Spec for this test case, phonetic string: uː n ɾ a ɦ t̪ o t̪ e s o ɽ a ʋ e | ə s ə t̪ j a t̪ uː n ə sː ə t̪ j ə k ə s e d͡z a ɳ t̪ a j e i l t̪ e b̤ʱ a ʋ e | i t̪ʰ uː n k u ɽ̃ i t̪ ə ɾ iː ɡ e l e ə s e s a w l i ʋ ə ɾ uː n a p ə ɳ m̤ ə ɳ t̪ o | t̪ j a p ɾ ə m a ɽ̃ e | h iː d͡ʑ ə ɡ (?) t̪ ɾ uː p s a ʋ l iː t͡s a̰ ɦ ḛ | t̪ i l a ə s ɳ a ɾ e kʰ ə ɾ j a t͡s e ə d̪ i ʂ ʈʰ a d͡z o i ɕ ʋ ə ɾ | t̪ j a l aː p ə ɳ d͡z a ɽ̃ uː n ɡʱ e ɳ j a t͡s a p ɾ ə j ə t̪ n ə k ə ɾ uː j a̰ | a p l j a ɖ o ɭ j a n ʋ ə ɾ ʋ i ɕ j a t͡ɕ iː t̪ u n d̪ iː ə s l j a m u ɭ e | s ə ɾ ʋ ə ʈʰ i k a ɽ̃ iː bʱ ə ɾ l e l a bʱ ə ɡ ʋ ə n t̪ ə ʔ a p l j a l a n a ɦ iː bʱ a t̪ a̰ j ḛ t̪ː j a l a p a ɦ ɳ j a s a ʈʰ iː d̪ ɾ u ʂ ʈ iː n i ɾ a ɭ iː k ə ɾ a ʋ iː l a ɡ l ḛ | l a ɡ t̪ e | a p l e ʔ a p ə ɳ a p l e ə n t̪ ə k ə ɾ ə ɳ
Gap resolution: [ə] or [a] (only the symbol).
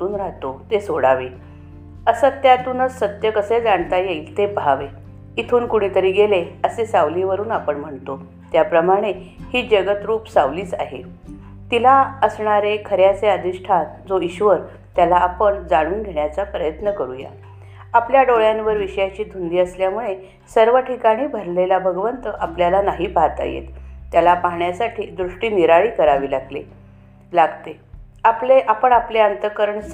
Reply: ə